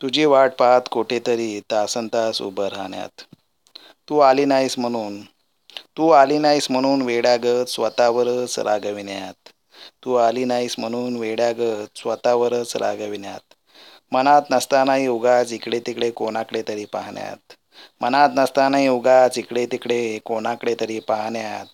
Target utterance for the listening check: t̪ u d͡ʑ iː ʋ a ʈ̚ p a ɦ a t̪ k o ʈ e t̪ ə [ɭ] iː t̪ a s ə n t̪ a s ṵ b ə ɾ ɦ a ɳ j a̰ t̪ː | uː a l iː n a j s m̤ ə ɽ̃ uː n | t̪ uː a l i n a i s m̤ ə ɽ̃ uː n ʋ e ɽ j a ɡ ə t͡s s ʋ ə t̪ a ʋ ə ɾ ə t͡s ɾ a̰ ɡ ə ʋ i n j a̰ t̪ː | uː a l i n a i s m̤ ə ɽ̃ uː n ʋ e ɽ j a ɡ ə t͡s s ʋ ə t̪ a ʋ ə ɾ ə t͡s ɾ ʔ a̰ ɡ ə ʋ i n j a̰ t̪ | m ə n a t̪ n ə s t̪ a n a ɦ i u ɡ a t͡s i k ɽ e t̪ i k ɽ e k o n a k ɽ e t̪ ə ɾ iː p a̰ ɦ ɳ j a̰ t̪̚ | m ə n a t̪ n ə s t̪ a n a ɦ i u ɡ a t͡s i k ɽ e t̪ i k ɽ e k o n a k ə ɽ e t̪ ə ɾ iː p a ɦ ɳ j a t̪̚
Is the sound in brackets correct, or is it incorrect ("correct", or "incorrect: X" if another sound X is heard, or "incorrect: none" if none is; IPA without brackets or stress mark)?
incorrect: ɾ